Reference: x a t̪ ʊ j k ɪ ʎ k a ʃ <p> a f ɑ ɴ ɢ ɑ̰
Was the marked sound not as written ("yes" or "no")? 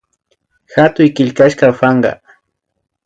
yes